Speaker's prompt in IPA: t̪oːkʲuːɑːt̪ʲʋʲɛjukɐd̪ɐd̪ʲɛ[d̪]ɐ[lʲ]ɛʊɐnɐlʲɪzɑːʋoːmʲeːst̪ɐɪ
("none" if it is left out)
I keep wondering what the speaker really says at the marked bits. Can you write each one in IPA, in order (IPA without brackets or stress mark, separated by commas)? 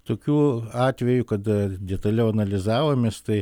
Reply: t̪, lʲ